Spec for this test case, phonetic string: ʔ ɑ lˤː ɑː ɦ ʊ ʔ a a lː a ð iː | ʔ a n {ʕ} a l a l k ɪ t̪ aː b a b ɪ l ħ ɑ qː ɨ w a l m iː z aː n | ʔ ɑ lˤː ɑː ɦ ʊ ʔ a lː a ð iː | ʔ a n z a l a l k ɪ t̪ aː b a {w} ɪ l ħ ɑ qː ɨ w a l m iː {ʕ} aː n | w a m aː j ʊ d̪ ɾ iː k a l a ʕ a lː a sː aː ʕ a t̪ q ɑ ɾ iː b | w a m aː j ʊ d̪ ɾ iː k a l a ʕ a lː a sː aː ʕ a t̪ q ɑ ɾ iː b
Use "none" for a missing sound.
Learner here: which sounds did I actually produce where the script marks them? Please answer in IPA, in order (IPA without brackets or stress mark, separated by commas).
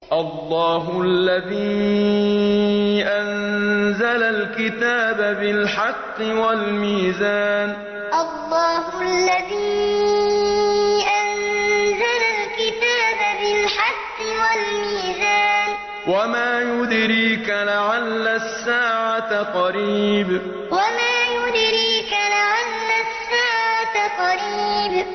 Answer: z, b, z